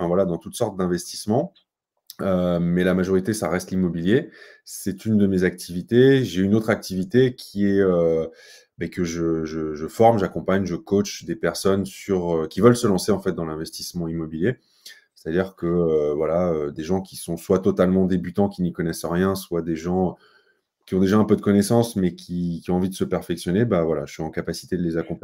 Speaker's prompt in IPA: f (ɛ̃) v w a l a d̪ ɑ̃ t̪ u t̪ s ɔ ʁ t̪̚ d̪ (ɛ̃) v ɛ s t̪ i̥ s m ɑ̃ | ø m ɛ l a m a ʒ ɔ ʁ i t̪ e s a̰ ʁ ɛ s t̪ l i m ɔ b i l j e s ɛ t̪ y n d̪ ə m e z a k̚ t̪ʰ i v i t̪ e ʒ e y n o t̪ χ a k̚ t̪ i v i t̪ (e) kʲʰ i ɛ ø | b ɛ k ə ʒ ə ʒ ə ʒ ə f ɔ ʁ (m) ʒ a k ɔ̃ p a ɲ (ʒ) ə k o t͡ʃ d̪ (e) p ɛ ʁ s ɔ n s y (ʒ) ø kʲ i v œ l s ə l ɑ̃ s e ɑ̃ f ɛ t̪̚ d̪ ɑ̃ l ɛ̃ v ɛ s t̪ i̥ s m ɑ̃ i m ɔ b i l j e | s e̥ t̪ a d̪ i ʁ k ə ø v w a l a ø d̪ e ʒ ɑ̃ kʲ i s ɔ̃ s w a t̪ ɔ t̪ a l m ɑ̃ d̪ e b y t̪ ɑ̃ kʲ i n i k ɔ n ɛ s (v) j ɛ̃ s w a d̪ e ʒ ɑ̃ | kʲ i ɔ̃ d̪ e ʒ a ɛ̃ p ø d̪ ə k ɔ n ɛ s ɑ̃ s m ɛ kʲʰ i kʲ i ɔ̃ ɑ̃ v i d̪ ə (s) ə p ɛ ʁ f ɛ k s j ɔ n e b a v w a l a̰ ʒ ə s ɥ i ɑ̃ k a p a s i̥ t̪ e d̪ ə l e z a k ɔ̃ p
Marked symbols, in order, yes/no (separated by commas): yes, yes, yes, yes, yes, yes, no, no, yes